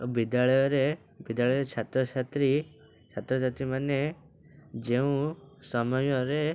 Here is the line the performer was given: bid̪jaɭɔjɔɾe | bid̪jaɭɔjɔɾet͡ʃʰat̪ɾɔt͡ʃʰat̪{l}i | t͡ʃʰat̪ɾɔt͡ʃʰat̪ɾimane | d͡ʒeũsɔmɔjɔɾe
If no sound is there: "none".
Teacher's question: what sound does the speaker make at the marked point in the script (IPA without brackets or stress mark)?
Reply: ɾ